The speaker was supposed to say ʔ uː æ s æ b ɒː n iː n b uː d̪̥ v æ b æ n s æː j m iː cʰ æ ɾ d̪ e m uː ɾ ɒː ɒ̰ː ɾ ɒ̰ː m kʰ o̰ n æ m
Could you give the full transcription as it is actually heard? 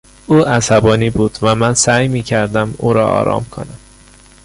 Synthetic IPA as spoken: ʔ uː æ s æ b ɒː n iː b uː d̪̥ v æ m æ n s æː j m iː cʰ æ ɾ d̪ æ m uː ɾ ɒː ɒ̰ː ɾ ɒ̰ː m kʰ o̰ n æ m

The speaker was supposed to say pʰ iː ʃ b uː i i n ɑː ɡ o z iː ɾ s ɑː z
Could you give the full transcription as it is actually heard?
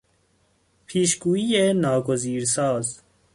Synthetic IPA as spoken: pʰ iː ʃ ɡ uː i e n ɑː ɡ o z iː ɾ s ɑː z

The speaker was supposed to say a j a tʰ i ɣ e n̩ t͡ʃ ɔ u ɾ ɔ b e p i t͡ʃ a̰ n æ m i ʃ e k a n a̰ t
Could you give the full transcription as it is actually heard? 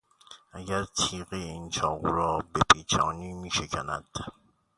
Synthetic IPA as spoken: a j a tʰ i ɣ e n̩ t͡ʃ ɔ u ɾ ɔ b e p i t͡ʃ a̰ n i m i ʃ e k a n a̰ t

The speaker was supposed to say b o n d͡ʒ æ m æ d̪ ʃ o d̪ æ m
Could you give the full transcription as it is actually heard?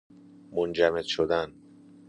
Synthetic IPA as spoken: m o n d͡ʒ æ m e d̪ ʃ o d̪ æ n

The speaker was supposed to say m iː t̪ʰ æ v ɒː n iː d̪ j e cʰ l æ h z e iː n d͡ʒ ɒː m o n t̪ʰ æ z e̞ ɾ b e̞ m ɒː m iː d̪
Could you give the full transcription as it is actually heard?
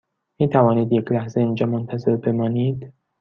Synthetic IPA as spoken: m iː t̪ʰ æ v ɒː n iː d̪ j e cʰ l æ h z e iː n d͡ʒ ɒː m o n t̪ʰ æ z e̞ ɾ b e̞ m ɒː n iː d̪

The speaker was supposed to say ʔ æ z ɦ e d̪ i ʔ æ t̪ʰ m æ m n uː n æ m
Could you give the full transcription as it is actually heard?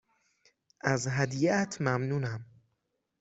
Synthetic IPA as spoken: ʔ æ z ɦ æ d̪ i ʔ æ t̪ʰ m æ m n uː n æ m

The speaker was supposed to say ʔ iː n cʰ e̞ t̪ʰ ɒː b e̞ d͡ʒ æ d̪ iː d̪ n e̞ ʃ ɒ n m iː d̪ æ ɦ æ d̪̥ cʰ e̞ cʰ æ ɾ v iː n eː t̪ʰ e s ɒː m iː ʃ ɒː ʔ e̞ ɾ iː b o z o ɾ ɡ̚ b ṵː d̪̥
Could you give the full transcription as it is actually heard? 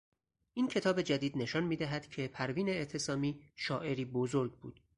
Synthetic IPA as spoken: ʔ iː n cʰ e̞ t̪ʰ ɒː b e̞ d͡ʒ æ d̪ iː d̪ n e̞ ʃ ɒ n m iː d̪ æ ɦ æ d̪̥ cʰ e̞ pʰ æ ɾ v iː n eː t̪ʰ e s ɒː m iː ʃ ɒː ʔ e̞ ɾ iː b o z o ɾ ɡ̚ b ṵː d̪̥

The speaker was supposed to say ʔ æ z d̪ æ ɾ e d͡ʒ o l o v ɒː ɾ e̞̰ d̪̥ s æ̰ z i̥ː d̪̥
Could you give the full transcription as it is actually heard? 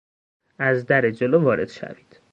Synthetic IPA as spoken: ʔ æ z d̪ æ ɾ e d͡ʒ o l o v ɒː ɾ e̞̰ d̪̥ ʃ æ̰ v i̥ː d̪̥

